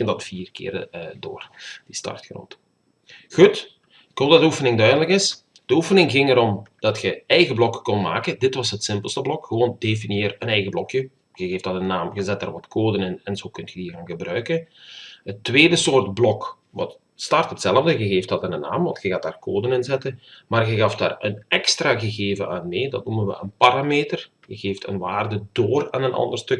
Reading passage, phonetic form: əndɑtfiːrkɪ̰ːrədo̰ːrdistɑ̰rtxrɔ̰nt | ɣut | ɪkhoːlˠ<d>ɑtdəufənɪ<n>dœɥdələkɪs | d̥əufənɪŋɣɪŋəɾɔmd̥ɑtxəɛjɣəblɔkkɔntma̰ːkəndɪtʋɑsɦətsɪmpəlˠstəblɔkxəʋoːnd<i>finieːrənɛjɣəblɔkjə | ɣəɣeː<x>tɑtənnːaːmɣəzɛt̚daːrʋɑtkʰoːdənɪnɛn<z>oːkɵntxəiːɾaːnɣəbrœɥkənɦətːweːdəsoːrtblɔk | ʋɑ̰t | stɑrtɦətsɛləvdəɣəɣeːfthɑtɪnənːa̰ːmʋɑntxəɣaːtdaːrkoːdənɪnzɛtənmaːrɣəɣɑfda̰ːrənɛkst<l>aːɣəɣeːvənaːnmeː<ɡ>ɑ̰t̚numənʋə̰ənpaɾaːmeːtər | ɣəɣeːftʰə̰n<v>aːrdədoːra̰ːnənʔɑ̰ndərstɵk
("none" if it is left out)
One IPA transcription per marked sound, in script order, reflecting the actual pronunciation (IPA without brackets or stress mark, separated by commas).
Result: d, ŋ, e, f, z, r, d, ʋ